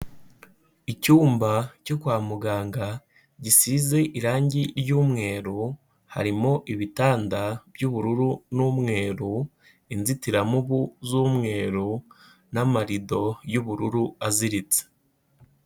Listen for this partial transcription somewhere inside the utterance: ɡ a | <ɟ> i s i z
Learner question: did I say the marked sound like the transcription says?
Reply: yes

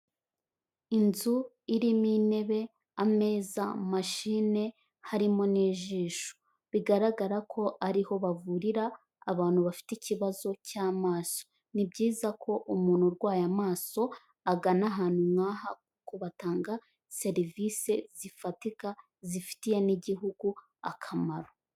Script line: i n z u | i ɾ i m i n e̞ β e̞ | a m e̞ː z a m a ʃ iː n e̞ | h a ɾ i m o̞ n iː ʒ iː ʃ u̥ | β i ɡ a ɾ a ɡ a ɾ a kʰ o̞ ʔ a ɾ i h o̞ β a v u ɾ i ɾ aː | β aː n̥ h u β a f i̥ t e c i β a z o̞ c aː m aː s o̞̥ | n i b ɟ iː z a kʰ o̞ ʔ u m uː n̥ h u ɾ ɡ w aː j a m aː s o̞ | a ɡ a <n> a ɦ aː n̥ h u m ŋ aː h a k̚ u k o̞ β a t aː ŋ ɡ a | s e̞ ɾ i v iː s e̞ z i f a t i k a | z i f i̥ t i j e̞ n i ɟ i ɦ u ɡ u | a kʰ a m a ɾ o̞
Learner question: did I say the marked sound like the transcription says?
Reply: yes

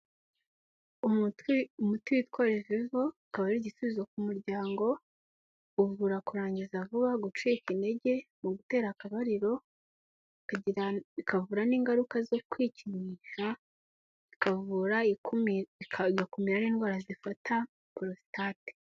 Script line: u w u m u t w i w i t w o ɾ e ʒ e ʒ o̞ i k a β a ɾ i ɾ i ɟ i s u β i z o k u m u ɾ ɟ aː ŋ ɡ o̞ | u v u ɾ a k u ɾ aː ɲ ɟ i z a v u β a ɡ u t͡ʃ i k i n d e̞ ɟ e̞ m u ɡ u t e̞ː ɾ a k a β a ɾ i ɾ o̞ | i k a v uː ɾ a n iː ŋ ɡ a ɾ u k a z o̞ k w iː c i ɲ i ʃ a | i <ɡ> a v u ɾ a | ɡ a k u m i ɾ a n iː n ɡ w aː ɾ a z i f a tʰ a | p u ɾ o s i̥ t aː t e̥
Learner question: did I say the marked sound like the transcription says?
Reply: no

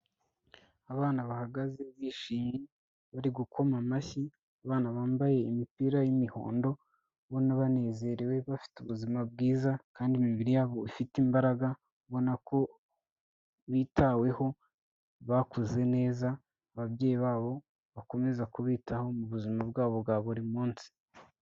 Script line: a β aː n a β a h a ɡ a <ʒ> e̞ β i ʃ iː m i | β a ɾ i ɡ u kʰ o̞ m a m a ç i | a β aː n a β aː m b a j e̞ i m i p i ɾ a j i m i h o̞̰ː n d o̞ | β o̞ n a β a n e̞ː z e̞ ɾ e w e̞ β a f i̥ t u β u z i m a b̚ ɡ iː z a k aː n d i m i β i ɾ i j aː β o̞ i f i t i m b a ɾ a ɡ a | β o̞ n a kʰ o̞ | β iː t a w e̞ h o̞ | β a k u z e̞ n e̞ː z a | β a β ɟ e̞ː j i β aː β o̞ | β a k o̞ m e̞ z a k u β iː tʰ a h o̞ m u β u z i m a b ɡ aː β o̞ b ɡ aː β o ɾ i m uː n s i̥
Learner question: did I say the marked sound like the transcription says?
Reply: no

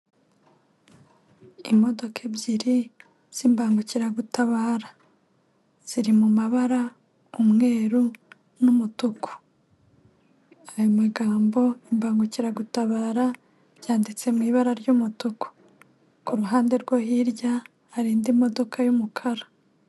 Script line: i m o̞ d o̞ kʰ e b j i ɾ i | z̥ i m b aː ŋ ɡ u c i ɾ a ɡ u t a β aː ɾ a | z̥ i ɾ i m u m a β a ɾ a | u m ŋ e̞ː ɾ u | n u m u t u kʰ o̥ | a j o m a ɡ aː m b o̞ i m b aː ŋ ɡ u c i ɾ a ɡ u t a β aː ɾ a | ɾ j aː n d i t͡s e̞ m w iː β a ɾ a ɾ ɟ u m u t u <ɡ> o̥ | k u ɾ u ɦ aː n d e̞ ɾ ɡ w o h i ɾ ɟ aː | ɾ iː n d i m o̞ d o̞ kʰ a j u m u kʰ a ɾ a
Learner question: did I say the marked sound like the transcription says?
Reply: no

